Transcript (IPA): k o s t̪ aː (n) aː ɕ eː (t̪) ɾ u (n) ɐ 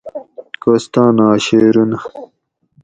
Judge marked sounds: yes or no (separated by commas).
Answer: yes, no, yes